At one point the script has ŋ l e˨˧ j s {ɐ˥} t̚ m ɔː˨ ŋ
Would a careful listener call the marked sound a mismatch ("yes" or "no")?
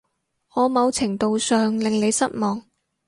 no